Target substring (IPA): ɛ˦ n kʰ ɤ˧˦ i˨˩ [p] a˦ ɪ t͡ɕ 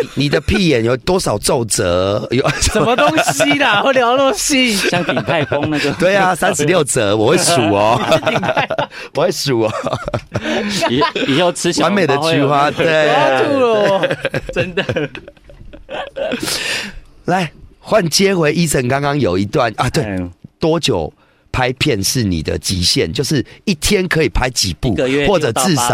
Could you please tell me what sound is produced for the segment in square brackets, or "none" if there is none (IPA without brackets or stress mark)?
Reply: pʰ